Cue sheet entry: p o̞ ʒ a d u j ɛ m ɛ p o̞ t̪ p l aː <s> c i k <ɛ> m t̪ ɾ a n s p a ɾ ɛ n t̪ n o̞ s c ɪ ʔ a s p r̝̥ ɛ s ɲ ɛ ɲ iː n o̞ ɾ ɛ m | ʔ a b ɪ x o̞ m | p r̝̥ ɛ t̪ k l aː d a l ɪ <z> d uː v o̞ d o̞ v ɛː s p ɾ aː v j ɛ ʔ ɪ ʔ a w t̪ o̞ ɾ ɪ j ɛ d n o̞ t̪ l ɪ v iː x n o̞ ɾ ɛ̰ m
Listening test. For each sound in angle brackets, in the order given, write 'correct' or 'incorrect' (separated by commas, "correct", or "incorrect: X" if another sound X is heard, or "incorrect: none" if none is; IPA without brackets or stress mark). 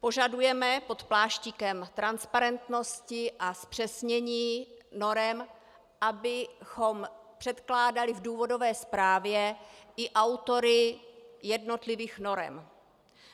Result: incorrect: ʃ, correct, incorrect: v